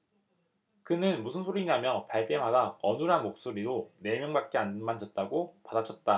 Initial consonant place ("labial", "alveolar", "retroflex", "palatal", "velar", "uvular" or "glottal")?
velar